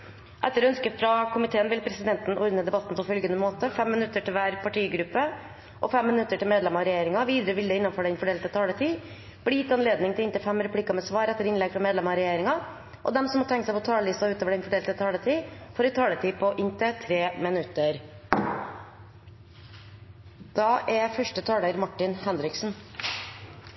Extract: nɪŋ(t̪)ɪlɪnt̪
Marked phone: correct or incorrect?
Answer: correct